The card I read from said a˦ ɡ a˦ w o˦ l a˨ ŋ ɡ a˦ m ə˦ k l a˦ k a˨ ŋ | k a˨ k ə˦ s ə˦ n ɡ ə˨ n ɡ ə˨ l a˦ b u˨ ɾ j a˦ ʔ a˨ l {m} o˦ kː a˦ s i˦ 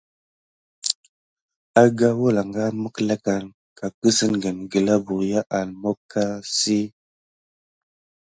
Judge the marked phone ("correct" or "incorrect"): correct